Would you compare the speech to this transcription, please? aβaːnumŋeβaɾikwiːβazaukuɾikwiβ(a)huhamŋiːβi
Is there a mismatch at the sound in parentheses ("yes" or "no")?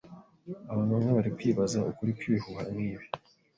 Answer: yes